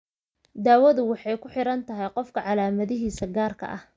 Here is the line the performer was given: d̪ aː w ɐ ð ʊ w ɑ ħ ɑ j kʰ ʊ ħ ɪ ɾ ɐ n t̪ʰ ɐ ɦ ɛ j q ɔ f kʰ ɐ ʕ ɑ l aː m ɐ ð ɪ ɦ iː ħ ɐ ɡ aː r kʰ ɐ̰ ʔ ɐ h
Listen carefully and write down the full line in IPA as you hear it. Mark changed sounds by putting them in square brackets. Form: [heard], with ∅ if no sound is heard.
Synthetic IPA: d̪ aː w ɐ ð ʊ w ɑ ħ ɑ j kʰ ʊ ħ ɪ ɾ ɐ n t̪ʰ ɐ ɦ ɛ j q ɔ f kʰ ɐ ʕ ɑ l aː m ɐ ð ɪ ɦ iː [s] ɐ ɡ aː r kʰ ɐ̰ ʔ ɐ h